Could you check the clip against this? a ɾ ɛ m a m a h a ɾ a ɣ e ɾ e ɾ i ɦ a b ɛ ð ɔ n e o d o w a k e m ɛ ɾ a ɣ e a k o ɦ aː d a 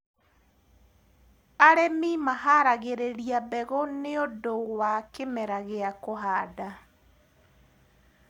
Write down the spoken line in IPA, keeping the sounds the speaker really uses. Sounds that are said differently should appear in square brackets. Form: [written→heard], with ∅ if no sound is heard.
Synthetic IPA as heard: a ɾ ɛ m [a→i] m a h a ɾ a ɣ e ɾ e ɾ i [ɦ→∅] a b ɛ [ð→ɣ] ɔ n e o d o w a k e m ɛ ɾ a ɣ e a k o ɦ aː d a